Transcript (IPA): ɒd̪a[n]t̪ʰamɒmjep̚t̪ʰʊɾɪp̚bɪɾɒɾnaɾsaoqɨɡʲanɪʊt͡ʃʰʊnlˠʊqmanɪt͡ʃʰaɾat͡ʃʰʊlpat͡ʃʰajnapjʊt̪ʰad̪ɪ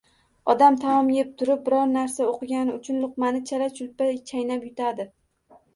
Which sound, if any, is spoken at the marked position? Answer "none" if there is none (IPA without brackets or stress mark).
m